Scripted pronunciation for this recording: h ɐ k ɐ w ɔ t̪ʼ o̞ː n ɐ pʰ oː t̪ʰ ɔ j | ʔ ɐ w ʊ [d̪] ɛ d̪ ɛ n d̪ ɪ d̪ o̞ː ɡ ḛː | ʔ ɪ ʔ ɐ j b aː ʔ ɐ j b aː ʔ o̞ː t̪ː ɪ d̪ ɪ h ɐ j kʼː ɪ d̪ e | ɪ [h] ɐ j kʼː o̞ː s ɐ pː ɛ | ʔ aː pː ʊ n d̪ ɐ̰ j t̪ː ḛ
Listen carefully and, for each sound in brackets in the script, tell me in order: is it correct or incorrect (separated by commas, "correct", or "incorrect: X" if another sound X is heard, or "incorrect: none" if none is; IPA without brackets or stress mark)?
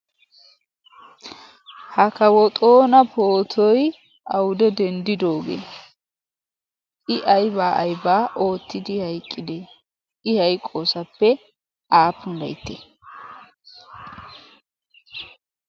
correct, correct